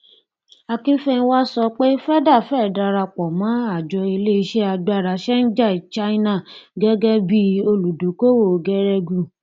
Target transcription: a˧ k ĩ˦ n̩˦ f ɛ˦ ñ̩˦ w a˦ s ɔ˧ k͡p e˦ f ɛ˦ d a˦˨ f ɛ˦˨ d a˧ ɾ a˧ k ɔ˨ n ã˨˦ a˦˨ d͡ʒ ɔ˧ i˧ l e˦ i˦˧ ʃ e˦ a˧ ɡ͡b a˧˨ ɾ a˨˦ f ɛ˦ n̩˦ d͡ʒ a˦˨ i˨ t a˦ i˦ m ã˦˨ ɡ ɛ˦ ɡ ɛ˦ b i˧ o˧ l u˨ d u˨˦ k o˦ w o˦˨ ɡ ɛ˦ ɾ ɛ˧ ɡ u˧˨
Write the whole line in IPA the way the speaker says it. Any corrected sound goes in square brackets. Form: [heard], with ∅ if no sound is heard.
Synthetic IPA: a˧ k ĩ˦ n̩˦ f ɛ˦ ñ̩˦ w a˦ s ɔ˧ k͡p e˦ f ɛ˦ d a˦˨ f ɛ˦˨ d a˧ ɾ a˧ [k͡p] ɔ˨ [m] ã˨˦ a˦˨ d͡ʒ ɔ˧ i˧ l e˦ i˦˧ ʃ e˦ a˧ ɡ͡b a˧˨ ɾ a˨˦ [ʃ] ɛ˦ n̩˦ d͡ʒ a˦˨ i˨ [t͡ʃ] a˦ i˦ [n] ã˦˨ ɡ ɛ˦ ɡ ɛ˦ b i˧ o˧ l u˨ d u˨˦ k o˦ w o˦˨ ɡ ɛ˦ ɾ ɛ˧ ɡ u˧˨